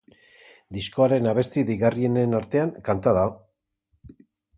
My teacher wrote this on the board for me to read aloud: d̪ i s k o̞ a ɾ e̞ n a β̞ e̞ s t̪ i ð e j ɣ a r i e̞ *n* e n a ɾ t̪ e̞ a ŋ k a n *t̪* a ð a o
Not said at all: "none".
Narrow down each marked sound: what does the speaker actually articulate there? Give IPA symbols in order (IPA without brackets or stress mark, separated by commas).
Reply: n, t̪